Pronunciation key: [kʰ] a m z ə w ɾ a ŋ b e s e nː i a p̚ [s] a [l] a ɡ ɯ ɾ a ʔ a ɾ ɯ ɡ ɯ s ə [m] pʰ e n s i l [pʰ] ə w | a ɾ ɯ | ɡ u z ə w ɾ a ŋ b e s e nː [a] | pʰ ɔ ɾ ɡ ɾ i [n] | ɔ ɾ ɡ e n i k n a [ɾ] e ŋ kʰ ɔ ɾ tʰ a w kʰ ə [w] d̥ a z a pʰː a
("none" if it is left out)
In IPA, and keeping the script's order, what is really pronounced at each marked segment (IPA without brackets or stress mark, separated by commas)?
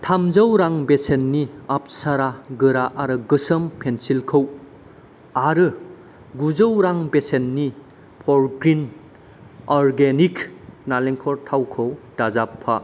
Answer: tʰ, s, ɾ, m, kʰ, i, n, l, w